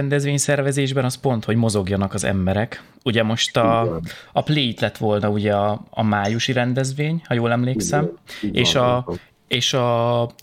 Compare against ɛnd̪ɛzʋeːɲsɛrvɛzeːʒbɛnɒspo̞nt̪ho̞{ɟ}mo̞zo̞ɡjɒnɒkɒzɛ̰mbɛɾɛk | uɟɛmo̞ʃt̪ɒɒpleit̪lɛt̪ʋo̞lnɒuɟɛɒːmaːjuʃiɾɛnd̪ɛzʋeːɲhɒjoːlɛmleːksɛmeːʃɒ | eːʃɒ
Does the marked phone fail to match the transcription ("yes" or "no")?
no